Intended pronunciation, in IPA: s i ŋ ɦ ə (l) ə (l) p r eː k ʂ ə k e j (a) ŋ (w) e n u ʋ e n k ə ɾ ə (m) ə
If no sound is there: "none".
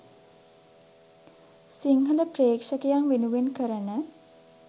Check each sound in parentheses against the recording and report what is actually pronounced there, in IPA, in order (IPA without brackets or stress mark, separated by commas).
l, none, a, ʋ, n